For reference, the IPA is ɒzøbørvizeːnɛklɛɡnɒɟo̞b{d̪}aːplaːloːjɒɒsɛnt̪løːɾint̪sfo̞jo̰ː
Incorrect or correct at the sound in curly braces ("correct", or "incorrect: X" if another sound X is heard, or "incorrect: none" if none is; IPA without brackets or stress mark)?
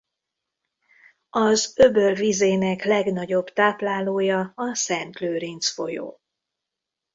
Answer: incorrect: t̪